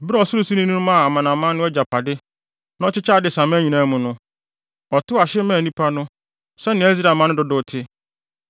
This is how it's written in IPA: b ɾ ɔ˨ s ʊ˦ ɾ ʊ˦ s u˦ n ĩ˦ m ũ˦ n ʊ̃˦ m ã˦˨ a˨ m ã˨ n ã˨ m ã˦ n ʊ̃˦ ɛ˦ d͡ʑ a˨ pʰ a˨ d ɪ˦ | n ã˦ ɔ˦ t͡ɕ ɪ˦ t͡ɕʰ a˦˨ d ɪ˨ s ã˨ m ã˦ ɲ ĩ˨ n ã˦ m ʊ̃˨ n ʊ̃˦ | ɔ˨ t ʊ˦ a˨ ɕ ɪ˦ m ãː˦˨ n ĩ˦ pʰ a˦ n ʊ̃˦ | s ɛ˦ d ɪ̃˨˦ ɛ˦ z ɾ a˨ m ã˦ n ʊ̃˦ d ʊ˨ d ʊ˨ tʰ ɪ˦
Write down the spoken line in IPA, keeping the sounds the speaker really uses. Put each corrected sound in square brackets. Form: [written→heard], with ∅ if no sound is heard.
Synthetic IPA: b ɾ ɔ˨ s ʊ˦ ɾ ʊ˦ s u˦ n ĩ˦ [m→n] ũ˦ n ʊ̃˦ m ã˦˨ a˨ m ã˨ n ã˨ m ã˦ n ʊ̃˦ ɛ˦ d͡ʑ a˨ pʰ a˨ d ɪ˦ | n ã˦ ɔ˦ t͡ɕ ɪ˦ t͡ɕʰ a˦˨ d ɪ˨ s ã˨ m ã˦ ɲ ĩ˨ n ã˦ m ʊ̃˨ n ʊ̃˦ | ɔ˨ t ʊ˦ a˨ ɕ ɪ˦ m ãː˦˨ n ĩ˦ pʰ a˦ n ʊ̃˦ | s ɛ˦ [d→n] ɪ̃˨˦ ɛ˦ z ɾ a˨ m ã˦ n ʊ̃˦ d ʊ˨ d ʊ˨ tʰ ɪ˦